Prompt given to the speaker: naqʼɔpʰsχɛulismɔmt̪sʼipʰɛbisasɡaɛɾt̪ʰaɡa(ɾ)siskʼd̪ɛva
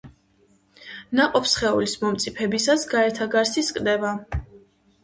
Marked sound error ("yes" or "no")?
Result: no